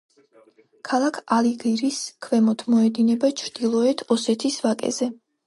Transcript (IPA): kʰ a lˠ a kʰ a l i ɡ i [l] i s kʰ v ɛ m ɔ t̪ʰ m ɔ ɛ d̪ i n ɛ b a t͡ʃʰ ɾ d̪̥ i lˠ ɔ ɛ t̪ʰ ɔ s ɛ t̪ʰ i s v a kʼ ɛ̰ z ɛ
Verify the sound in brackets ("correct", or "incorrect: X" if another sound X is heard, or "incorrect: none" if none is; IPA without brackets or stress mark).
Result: incorrect: ɾ